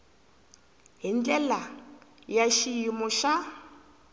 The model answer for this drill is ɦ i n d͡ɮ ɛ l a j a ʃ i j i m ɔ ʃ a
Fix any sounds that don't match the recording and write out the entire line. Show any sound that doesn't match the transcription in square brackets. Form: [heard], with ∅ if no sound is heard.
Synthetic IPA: ɦ i n d͡ɮ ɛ l a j a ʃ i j i m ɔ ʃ a